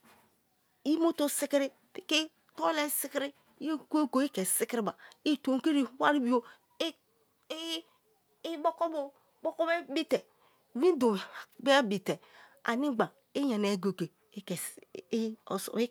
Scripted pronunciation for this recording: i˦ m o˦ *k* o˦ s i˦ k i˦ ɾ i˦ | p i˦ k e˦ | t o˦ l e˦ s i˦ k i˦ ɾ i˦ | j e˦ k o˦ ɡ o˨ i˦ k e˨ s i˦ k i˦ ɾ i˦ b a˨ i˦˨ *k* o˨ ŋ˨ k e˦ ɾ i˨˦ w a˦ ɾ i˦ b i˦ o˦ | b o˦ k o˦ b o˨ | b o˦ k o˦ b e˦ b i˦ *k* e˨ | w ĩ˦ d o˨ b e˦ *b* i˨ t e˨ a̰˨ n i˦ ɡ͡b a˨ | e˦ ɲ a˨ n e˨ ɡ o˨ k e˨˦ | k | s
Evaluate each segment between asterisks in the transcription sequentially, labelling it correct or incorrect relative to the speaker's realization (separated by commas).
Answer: incorrect, incorrect, incorrect, correct